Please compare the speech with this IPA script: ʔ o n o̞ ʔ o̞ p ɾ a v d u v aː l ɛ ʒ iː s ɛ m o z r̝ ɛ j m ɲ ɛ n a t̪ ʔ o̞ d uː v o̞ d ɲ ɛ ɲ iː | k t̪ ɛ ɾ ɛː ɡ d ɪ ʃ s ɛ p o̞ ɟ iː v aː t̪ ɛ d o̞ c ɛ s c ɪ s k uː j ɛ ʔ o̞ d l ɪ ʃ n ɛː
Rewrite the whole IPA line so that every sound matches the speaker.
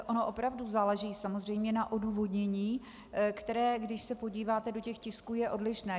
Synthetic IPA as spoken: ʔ o n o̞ ʔ o̞ p ɾ a v d u z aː l ɛ ʒ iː s a m o z r̝ ɛ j m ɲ ɛ n a ʔ o̞ d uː v o̞ d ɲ ɛ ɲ iː | k t̪ ɛ ɾ ɛː ɡ d ɪ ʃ s ɛ p o̞ ɟ iː v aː t̪ ɛ d o̞ c ɛ x c ɪ s k uː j ɛ ʔ o̞ d l ɪ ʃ n ɛː